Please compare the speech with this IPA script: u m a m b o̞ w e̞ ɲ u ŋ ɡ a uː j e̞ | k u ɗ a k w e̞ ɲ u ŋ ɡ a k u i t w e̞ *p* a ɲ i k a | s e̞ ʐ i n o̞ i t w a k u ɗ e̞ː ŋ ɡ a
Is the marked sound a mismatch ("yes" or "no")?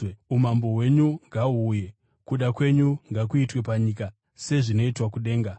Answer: no